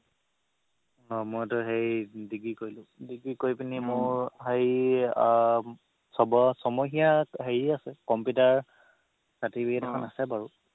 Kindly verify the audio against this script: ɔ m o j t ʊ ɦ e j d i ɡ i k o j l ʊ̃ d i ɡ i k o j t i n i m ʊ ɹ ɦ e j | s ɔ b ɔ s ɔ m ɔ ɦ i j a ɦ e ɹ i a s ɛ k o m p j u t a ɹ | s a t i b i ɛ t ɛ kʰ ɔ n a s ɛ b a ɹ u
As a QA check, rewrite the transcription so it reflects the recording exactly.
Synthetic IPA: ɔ m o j t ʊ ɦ e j d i ɡ i k o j l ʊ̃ d i ɡ i k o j p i n i m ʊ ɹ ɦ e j | s ɔ b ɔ s ɔ m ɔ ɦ i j a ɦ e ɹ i a s ɛ k ɔ m p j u t a ɹ | s a t i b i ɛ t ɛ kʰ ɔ n a s ɛ b a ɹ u